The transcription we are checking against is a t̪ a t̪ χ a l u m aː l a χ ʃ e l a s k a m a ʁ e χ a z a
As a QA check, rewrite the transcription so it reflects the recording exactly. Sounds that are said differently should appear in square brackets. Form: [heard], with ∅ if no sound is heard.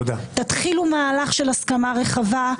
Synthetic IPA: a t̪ a t̪ χ [i] l u m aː l a χ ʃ e l a s k a m a ʁ e χ a [v] a